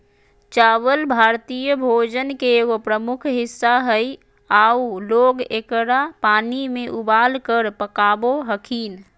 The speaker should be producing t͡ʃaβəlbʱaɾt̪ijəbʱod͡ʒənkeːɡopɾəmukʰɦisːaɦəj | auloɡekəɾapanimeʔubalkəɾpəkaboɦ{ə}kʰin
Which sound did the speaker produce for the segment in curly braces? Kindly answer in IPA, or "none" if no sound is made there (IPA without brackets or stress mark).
ə